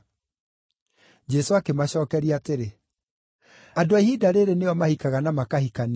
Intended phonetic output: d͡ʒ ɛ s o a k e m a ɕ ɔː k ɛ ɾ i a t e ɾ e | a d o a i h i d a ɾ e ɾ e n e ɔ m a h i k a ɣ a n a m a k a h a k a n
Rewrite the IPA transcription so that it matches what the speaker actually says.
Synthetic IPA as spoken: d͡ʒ ɛ s o a k e m a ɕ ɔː k ɛ ɾ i a t e ɾ e | a d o a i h i d a ɾ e ɾ e n e ɔ m a h i k a ɣ a n a m a k a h i k a n